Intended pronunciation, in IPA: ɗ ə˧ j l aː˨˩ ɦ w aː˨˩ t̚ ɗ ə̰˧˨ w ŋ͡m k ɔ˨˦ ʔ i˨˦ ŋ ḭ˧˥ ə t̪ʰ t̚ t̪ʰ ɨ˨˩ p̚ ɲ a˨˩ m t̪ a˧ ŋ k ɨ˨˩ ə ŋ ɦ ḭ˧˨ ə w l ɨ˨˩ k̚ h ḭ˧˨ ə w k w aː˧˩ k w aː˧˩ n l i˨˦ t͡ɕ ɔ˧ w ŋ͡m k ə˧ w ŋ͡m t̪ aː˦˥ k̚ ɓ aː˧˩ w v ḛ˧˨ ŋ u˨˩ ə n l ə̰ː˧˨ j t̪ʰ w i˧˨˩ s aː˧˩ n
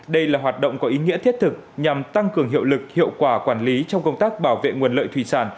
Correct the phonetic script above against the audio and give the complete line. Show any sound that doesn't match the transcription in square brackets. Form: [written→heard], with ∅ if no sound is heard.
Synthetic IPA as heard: ɗ ə˧ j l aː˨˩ ɦ w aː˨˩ t̚ ɗ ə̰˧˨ w ŋ͡m k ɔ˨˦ ʔ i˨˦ ŋ ḭ˧˥ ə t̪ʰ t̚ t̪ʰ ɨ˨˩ [p̚→k̚] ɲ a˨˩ m t̪ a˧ ŋ k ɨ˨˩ ə ŋ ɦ ḭ˧˨ ə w l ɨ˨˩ k̚ h ḭ˧˨ ə w k w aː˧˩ k w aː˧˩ n l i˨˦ t͡ɕ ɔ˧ w ŋ͡m k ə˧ w ŋ͡m t̪ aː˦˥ k̚ ɓ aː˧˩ w v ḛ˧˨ ŋ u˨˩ ə n l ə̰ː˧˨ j t̪ʰ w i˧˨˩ s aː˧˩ n